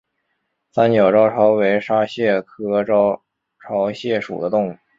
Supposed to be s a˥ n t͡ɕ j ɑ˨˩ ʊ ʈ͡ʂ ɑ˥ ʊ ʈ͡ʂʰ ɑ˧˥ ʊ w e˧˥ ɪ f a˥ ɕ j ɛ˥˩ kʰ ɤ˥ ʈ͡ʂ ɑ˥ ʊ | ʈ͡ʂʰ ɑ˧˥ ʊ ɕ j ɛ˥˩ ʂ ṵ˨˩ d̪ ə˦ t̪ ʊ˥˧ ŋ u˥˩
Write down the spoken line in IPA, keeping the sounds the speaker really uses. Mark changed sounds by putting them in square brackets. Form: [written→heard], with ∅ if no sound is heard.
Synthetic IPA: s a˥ n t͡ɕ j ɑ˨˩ ʊ ʈ͡ʂ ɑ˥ ʊ ʈ͡ʂʰ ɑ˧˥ ʊ w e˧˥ ɪ [f→ʂ] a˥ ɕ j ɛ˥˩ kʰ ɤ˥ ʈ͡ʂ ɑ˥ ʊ | ʈ͡ʂʰ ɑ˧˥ ʊ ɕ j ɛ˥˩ ʂ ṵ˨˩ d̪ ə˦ t̪ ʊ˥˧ ŋ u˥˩